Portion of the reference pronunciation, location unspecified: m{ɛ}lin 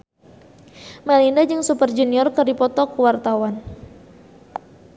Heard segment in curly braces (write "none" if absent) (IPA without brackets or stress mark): a